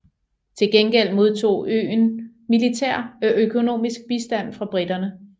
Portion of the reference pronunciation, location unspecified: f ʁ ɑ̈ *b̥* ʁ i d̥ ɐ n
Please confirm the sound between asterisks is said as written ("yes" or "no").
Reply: yes